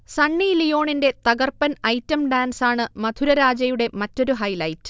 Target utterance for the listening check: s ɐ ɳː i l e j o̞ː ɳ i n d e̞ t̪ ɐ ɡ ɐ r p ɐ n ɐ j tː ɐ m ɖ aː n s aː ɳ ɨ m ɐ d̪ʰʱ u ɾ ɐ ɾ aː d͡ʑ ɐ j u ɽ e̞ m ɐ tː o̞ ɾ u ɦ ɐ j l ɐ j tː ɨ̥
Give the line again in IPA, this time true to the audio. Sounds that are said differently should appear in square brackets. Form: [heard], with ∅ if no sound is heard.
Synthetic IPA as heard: s ɐ ɳː i l [i] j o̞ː ɳ i n d e̞ t̪ ɐ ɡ ɐ r p ɐ n ɐ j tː ɐ m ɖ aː n s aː ɳ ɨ m ɐ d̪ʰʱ u ɾ ɐ ɾ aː d͡ʑ ɐ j u ɽ e̞ m ɐ tː o̞ ɾ u ɦ ɐ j l ɐ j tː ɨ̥